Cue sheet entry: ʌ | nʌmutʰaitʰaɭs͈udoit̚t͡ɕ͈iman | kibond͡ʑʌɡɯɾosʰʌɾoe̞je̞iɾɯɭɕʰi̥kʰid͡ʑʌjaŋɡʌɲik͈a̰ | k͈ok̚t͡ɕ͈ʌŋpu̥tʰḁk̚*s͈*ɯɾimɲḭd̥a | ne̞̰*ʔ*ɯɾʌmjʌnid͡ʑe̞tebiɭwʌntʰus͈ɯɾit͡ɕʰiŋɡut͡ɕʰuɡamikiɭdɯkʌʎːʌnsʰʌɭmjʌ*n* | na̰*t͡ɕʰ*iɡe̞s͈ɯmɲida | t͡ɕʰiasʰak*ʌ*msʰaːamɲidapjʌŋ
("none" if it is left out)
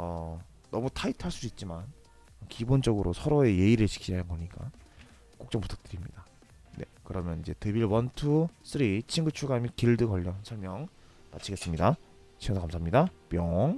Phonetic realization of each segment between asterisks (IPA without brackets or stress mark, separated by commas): t͈, k, ŋ, t͡ɕʰ, a